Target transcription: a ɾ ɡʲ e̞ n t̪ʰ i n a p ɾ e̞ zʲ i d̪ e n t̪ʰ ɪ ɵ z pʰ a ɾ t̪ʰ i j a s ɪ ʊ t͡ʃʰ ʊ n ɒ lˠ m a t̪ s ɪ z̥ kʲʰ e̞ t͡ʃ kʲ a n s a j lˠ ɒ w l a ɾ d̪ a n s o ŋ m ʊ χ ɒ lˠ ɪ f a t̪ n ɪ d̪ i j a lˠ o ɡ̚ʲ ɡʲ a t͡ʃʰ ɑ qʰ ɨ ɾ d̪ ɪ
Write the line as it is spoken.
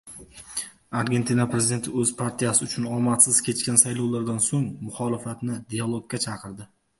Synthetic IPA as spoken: a ɾ ɡʲ e̞ n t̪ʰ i n a p ɾ e̞ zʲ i d̪ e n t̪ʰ ɪ ɵ z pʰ a ɾ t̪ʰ i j a s ɪ ʊ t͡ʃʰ ʊ n ɒ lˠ m a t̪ s ɪ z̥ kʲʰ e̞ t͡ʃ kʲ a n s a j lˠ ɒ w l a ɾ d̪ a n s o ŋ m ʊ χ ɒ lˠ ɪ f a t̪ n ɪ d̪ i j a lˠ o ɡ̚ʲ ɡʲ a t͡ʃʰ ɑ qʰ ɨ ɾ d̪ ɪ